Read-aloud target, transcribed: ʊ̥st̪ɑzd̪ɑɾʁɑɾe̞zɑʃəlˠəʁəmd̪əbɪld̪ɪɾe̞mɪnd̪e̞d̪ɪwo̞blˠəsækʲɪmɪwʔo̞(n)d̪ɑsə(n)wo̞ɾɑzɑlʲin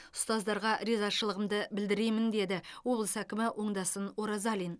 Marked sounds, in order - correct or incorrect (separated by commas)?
incorrect, correct